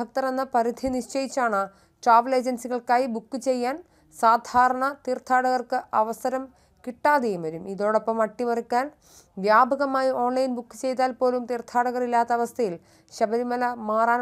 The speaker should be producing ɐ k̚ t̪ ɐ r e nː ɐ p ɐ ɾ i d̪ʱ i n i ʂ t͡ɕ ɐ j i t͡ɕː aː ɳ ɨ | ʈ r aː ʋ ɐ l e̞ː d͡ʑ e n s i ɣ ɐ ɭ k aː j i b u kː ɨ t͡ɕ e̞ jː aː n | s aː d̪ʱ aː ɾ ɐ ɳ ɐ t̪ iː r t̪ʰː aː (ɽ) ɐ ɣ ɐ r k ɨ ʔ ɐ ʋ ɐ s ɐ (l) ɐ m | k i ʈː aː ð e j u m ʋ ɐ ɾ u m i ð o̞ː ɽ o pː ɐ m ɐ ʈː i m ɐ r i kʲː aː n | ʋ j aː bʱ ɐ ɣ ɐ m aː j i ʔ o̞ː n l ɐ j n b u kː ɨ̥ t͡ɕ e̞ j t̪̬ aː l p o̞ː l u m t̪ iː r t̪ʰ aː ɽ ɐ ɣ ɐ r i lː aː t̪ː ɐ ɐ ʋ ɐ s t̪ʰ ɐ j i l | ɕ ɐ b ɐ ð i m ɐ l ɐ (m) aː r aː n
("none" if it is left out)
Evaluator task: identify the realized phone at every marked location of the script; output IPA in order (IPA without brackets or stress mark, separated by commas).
ɽ, ɾ, m